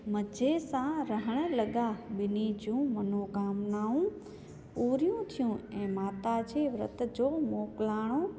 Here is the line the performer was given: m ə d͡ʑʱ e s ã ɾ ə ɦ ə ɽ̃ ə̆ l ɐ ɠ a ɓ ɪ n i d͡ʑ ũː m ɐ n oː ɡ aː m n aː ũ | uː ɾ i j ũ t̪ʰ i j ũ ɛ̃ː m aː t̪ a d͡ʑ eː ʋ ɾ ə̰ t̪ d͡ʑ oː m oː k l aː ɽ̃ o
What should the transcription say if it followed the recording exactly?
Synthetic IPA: m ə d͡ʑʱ e s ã ɾ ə ɦ ə ɽ̃ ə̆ l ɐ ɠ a ɓ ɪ n i d͡ʑ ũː m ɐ n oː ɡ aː m n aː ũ | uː ɾ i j ũ t̪ʰ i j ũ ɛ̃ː m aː t̪ a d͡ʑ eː ʋ ɾ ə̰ t̪ d͡ʑ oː m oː k l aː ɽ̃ o